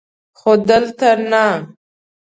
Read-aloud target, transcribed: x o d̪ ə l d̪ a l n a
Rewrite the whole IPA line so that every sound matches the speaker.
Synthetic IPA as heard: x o d̪ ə l t̪ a ɾ n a